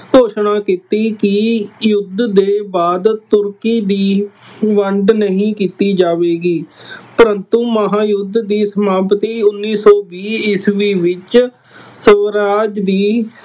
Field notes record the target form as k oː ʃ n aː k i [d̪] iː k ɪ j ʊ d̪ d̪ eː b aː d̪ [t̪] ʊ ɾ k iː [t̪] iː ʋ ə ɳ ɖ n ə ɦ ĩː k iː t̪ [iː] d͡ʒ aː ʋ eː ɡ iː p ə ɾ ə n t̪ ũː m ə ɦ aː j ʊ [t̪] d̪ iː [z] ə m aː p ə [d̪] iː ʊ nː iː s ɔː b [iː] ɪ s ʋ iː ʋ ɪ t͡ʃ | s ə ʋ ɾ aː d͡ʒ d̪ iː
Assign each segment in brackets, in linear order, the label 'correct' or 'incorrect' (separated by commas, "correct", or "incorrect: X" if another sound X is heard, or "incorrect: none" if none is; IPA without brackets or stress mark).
incorrect: t̪, correct, incorrect: d̪, correct, incorrect: d̪, incorrect: s, incorrect: t̪, correct